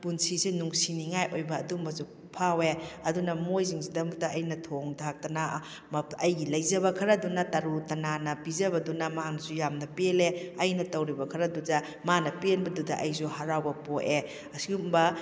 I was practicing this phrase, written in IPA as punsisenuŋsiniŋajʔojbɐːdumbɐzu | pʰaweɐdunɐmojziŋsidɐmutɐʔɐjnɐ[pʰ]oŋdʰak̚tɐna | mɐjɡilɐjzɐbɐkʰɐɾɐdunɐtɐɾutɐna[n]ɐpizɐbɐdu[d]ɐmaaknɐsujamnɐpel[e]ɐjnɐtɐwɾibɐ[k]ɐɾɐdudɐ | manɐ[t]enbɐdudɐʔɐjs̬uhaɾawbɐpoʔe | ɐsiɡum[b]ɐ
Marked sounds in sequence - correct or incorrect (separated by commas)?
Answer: incorrect, correct, incorrect, correct, incorrect, incorrect, correct